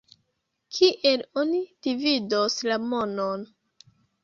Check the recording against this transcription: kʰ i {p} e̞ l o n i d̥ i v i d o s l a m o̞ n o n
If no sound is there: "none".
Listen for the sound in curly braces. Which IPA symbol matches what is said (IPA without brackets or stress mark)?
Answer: ʔ